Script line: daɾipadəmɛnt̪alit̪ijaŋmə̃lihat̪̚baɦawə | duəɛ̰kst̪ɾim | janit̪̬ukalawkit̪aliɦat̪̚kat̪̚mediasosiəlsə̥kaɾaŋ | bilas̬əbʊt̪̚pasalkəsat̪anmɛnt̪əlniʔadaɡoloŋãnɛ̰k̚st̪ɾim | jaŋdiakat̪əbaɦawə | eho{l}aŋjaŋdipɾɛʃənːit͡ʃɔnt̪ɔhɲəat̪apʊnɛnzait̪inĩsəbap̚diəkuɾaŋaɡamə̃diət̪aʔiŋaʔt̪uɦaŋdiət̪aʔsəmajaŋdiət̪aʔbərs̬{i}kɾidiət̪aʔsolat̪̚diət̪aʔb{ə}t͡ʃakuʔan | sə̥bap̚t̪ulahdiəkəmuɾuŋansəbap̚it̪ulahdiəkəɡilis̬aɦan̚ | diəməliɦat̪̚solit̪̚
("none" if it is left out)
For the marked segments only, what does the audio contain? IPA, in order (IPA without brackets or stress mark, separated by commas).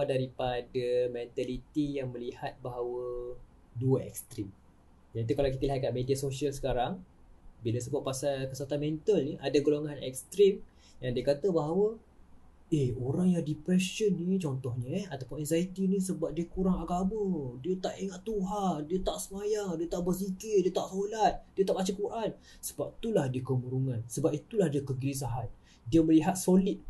ɾ, i, a